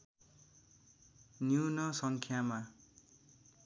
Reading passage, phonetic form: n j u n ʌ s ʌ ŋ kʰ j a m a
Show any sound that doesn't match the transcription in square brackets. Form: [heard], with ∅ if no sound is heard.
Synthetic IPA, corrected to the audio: n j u n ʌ s ʌ ŋ kʰ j a m a